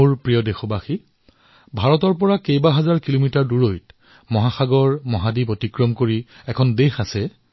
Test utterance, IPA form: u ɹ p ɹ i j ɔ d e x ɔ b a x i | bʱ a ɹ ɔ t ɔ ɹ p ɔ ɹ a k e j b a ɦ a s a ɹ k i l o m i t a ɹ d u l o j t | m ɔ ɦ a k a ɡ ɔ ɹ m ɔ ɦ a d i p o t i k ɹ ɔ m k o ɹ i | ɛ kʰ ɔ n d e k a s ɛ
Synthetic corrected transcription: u ɹ p ɹ i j ɔ d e x ɔ b a x i | bʱ a ɹ ɔ t ɔ ɹ p ɔ ɹ a k e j b a ɦ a z a ɹ k i l o m i t a ɹ d u ɹ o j t | m ɔ ɦ a x a ɡ ɔ ɹ m ɔ ɦ a d i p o t i k ɹ ɔ m k o ɹ i | ɛ kʰ ɔ n d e x a s ɛ